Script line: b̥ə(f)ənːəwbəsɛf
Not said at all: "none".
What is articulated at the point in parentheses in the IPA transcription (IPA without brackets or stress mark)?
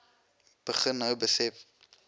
χ